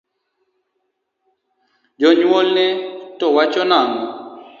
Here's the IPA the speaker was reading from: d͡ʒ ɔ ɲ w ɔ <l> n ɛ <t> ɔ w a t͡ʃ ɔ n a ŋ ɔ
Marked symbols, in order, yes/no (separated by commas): yes, yes